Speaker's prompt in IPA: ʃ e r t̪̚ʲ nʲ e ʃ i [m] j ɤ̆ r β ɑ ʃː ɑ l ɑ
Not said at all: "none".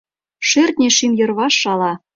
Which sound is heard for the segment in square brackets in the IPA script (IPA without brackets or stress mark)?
m